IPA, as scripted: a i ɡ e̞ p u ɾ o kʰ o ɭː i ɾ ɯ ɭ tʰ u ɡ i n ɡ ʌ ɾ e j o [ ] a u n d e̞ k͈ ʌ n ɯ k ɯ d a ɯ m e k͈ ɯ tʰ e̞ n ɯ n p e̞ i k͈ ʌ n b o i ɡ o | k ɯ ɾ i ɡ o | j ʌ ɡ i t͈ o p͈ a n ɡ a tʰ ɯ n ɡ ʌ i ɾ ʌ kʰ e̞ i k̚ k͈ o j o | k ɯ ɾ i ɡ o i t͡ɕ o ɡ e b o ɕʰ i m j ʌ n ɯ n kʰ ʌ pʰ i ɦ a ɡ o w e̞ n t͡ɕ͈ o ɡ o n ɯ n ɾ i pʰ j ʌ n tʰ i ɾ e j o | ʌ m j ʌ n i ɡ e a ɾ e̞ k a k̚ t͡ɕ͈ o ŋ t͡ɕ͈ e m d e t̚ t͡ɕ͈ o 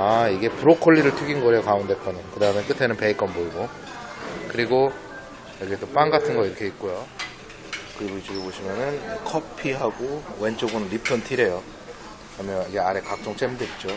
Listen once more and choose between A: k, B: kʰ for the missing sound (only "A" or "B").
A